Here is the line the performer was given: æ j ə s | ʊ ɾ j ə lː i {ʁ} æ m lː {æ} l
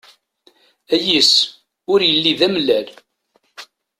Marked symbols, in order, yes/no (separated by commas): no, yes